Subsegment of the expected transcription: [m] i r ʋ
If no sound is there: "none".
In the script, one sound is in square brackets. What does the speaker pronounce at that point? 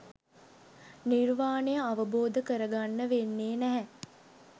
n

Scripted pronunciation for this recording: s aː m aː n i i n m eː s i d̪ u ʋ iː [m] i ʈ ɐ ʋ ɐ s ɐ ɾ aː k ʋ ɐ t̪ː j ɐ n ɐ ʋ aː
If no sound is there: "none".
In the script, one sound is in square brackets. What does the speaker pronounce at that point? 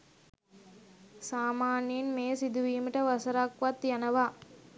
m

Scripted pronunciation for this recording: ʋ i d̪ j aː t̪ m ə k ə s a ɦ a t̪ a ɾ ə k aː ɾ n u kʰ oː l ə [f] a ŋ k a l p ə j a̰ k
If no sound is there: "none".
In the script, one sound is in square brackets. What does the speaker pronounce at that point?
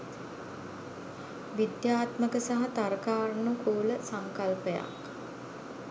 s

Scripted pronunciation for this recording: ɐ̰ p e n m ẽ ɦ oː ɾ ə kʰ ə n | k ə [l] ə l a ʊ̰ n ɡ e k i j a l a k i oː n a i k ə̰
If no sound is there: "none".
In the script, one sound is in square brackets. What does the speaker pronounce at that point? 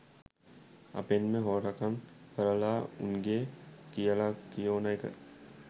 ɾ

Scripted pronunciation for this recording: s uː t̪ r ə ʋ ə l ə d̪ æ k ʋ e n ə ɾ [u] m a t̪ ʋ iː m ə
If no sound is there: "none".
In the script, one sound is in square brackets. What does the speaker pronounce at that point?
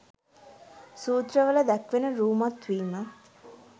uː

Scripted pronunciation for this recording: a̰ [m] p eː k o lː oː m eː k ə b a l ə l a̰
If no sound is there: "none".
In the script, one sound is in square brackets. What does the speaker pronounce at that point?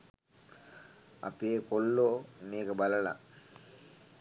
none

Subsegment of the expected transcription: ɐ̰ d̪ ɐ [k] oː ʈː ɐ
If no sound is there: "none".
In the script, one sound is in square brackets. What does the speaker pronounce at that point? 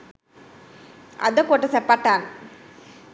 k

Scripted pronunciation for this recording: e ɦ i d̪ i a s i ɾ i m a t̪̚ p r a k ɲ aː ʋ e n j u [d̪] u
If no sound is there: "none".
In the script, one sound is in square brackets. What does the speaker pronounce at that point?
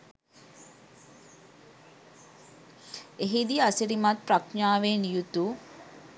t̪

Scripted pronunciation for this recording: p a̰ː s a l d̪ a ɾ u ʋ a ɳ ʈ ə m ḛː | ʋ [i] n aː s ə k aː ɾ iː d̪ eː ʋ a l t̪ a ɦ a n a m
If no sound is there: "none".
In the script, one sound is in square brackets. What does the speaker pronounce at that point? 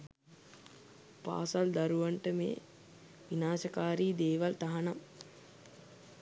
i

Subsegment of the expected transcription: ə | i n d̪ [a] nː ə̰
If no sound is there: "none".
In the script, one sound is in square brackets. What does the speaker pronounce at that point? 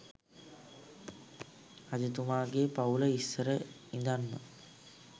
a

